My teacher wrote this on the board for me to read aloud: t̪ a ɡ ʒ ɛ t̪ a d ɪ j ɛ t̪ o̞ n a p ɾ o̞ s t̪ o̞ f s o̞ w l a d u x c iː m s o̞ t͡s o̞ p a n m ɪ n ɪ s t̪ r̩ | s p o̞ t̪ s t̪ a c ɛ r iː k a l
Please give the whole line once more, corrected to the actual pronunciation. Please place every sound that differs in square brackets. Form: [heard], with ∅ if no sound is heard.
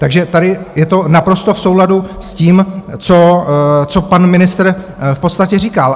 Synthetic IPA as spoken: t̪ a ɡ ʒ ɛ t̪ a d ɪ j ɛ t̪ o̞ n a p ɾ o̞ s t̪ o̞ f s o̞ w l a d u [s] c iː m [t͡s] o̞ t͡s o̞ p a n m ɪ n ɪ s t̪ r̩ | [f] p o̞ t̪ s t̪ a c ɛ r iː k a l